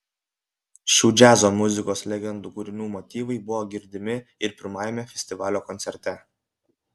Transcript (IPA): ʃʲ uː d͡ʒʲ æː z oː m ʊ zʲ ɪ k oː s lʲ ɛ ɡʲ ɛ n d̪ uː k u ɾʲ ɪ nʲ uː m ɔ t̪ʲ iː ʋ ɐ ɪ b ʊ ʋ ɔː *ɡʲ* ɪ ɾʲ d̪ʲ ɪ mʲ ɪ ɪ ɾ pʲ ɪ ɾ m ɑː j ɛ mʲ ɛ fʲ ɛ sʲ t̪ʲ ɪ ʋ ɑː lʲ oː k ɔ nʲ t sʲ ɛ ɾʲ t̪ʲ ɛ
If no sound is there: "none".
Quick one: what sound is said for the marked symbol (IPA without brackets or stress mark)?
ɡʲ